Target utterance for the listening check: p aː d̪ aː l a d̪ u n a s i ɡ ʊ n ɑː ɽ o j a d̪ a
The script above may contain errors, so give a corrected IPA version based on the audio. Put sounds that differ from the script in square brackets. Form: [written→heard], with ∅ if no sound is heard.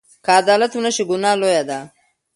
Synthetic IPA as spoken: [p→k] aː d̪ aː l a [d̪→t̪] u n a [s→ʃ] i ɡ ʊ n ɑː [ɽ→l] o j a d̪ a